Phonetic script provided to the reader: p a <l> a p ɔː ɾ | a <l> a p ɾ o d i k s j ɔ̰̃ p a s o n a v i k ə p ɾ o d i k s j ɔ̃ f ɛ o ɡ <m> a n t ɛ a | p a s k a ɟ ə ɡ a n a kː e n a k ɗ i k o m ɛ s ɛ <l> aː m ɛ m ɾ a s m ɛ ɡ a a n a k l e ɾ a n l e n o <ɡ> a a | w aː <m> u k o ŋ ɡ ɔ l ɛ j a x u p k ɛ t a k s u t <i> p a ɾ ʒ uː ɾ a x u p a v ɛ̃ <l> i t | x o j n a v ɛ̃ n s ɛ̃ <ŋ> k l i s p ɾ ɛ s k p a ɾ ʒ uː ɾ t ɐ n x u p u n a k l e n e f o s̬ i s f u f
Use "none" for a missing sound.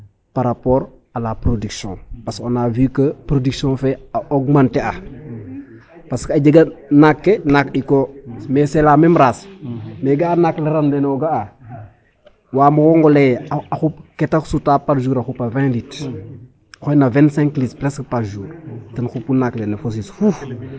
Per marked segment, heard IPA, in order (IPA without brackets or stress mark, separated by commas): ɾ, l, m, l, ɡ, m, a, l, ŋ